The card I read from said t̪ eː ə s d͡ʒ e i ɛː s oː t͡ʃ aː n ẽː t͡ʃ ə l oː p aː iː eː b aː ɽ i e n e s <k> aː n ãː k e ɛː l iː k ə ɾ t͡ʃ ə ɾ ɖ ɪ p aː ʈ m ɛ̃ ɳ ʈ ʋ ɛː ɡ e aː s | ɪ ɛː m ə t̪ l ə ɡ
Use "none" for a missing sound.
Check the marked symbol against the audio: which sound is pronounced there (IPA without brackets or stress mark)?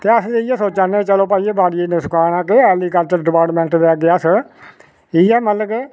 k